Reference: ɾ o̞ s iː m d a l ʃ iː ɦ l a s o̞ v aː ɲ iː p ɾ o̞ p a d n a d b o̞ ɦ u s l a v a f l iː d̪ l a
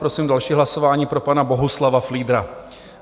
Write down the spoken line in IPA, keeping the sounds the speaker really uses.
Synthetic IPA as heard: ɾ o̞ s iː m d a l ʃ iː ɦ l a s o̞ v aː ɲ iː p ɾ o̞ p a n a b o̞ ɦ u s l a v a f l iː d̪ ɾ a